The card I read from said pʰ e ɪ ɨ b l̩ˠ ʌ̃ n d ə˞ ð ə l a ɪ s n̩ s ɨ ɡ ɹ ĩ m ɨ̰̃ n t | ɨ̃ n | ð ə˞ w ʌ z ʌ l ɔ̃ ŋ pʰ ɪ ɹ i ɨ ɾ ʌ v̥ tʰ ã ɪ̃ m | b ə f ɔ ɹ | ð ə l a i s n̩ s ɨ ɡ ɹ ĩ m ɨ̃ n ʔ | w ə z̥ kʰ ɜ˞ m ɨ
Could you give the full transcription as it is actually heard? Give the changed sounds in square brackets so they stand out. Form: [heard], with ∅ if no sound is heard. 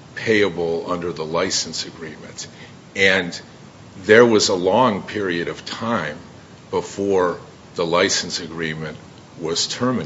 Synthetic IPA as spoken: pʰ e ɪ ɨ b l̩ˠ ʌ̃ n d ə˞ ð ə l a ɪ s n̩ s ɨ ɡ ɹ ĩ m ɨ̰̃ n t | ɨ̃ n | ð ə˞ w ʌ z [ə] l ɔ̃ ŋ pʰ ɪ ɹ i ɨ ɾ ʌ v̥ tʰ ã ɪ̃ m | b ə f ɔ ɹ | ð ə l a [ɪ] s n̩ s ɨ ɡ ɹ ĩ m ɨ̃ n ʔ | w [ʌ] z̥ [tʰ] ɜ˞ m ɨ